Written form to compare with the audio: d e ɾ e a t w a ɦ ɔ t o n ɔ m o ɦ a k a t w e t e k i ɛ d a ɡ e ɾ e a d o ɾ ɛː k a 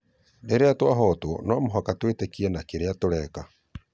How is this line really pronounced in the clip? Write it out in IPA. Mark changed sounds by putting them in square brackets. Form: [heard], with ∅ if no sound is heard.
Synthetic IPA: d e ɾ e a t w a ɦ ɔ t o n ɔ m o ɦ a k a t w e t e k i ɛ [n] a [k] e ɾ e a [t] o ɾ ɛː k a

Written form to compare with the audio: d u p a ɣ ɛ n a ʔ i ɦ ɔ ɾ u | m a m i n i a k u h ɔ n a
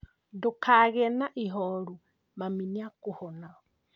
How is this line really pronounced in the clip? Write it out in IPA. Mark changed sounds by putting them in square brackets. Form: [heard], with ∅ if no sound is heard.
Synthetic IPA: d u [k] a ɣ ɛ n a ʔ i ɦ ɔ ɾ u | m a m i n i a k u h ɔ n a

